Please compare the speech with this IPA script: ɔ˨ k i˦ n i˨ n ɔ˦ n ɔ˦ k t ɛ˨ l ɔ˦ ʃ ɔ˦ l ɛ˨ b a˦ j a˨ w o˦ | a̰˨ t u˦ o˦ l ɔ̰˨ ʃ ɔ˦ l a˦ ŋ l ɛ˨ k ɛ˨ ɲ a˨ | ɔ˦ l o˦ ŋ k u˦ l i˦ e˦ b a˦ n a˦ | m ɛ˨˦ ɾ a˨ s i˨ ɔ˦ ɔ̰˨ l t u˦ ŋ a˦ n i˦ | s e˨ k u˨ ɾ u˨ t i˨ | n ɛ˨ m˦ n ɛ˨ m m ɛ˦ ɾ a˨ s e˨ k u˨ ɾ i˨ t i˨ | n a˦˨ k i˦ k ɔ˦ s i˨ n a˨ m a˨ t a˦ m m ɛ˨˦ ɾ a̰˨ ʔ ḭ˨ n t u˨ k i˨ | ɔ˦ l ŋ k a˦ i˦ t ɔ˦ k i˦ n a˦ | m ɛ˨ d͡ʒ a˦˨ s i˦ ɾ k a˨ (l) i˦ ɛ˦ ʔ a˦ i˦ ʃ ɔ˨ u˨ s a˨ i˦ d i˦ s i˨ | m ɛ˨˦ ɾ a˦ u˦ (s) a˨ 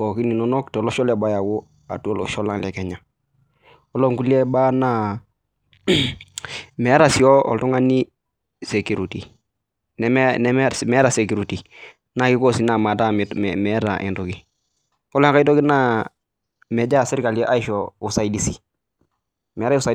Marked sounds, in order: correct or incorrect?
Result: correct, correct

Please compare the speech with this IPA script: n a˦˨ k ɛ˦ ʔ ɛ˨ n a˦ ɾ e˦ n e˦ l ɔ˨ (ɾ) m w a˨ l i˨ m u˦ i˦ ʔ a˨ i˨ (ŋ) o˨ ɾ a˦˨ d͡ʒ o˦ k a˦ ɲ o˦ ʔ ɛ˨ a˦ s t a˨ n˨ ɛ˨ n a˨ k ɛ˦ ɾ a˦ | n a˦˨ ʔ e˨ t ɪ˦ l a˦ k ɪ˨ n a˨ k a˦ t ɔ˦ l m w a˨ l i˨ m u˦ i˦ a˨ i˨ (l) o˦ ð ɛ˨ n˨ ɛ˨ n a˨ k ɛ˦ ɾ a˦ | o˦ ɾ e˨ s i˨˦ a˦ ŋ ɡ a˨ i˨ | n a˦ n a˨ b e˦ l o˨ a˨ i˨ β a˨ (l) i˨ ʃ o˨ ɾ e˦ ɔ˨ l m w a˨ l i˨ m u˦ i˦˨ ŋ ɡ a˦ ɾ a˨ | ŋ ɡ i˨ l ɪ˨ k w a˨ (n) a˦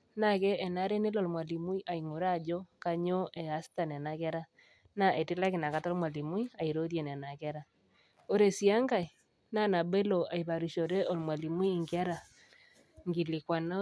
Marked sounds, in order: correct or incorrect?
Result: incorrect: l, correct, incorrect: ɾ, incorrect: ɾ, correct

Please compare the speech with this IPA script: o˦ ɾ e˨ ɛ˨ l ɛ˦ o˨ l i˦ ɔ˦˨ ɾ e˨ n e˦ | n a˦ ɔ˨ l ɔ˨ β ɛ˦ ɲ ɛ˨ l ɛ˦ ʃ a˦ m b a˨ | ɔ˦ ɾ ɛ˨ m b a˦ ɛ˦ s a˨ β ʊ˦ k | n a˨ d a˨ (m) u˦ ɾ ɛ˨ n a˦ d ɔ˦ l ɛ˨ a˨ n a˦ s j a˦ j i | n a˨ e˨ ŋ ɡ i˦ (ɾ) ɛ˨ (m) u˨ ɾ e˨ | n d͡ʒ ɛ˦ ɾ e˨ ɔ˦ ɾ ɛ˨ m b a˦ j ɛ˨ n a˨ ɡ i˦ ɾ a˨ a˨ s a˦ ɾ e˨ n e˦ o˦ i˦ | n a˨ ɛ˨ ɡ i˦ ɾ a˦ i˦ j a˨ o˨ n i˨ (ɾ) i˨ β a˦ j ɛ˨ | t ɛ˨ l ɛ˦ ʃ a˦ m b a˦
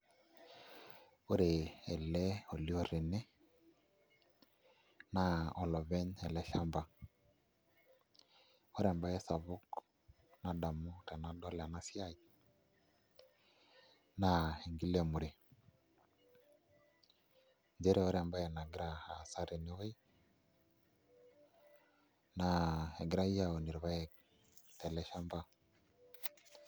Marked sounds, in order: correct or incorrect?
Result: correct, incorrect: l, correct, correct

